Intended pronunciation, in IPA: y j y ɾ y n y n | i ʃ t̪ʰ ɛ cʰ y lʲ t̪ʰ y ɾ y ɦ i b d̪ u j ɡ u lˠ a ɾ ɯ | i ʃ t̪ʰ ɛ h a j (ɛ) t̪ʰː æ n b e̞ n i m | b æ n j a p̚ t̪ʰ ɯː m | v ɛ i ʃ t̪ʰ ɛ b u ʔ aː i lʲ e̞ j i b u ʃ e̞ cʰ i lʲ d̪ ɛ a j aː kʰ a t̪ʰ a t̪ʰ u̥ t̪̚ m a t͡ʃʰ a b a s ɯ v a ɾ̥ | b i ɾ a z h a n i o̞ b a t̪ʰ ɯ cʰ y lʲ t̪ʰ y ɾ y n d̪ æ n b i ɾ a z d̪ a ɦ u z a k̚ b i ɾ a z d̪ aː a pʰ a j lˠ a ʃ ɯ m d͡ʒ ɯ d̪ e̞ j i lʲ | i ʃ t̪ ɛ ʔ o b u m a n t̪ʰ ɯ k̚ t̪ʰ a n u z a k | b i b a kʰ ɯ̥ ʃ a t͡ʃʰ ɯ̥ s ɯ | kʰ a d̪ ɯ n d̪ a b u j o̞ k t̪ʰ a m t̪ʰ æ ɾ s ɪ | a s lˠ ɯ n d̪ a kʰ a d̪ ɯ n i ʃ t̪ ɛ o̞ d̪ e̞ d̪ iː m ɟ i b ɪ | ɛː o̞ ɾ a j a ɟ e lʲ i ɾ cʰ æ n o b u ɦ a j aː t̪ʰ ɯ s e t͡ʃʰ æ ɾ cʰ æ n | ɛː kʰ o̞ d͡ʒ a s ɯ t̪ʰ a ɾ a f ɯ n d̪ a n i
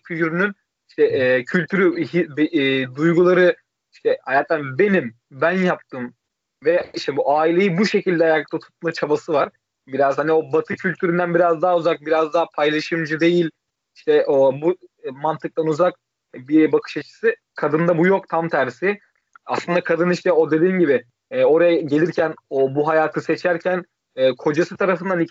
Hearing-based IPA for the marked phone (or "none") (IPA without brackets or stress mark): a